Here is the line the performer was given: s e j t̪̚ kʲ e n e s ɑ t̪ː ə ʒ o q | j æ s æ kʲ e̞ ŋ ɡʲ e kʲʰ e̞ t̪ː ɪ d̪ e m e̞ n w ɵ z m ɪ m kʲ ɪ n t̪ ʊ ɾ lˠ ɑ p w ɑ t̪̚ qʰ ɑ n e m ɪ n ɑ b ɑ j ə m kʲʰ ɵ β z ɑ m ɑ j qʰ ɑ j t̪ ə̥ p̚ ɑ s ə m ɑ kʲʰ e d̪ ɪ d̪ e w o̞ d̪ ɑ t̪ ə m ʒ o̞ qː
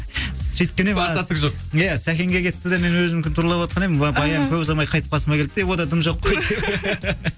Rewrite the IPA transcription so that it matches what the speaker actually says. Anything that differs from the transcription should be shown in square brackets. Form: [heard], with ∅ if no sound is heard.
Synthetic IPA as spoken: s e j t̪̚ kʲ e n e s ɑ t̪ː ə ʒ o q | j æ s æ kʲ e̞ ŋ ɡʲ e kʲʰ e̞ t̪ː ɪ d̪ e m e̞ n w ɵ z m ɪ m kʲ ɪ n t̪ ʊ ɾ lˠ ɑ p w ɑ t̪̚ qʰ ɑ n e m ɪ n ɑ b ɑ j [ɑ] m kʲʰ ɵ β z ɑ m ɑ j qʰ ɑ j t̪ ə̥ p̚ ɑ s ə m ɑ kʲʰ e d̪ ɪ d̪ e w o̞ d̪ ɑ [d̪] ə m ʒ o̞ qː